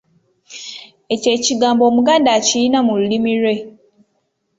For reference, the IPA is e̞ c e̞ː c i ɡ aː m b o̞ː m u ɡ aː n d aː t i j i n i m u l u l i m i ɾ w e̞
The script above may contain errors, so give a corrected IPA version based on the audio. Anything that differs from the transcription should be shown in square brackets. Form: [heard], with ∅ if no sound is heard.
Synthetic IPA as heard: e̞ c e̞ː c i ɡ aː m b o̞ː m u ɡ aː n d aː [c] i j i n [a] m u l u l i m i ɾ w e̞